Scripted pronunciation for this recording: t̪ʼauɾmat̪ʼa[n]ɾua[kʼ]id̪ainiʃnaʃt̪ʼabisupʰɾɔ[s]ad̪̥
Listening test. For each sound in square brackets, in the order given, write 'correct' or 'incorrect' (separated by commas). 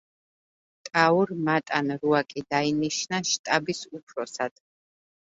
correct, correct, correct